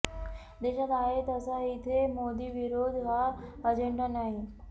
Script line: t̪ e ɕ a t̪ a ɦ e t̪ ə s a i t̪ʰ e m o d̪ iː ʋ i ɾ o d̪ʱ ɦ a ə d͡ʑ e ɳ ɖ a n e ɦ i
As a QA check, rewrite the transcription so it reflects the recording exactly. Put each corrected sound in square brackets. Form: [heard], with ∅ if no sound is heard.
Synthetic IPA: [d̪] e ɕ a t̪ a ɦ e t̪ ə s a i t̪ʰ e m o d̪ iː ʋ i ɾ o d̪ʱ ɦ a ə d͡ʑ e ɳ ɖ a n [a] ɦ i